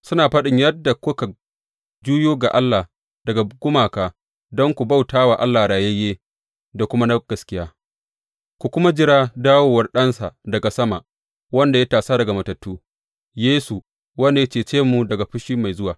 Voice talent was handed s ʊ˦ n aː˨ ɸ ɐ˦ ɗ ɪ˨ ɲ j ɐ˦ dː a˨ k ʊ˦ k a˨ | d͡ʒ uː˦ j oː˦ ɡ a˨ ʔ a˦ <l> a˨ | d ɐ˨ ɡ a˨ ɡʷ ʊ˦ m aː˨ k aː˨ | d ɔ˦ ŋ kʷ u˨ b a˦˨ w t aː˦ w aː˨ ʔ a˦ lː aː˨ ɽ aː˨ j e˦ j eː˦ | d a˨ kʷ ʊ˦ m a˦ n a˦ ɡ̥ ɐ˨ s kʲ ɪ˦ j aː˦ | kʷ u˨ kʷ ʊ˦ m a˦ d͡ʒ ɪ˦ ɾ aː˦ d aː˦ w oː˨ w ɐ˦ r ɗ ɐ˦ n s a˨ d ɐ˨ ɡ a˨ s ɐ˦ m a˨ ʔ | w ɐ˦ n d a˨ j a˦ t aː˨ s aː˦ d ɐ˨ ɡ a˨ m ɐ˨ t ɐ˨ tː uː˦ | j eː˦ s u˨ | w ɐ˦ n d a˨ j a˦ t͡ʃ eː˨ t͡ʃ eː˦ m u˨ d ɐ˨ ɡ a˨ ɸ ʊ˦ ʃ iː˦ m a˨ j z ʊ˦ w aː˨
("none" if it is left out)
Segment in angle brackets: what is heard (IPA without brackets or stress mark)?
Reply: lː